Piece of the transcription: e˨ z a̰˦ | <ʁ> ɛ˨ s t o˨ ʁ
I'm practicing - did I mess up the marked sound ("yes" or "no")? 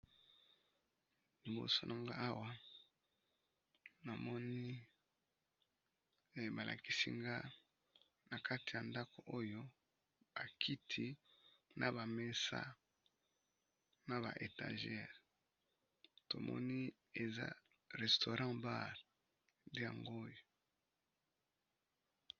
no